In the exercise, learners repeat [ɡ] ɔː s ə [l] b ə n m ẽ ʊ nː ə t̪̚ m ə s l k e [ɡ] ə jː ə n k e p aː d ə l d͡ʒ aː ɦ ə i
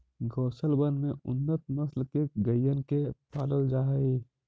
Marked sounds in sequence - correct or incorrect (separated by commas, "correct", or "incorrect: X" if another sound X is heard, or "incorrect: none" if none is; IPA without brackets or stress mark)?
correct, correct, correct